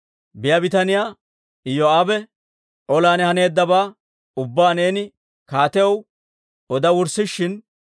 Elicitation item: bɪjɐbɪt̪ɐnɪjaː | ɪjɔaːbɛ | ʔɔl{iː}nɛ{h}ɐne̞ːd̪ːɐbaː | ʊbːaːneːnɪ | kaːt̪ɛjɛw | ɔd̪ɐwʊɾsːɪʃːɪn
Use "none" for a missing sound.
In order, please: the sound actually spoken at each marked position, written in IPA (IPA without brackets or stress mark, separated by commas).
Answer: aː, h